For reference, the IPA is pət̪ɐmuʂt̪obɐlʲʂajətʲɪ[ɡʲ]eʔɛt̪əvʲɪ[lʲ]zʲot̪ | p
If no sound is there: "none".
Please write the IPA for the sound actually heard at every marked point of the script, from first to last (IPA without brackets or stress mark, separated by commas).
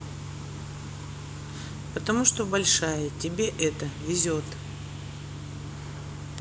bʲ, none